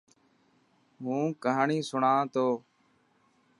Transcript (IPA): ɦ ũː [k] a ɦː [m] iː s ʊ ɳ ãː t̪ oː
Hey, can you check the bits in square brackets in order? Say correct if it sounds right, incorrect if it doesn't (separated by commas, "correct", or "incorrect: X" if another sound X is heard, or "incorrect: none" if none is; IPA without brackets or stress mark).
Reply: correct, incorrect: ɳ